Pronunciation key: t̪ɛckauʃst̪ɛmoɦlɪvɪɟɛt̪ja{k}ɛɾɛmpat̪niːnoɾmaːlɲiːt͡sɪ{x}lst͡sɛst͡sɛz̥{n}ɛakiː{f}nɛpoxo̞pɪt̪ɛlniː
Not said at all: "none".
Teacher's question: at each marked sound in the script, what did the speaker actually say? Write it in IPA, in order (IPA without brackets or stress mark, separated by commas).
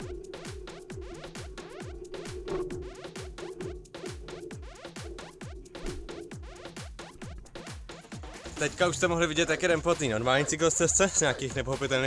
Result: k, k, ɲ, x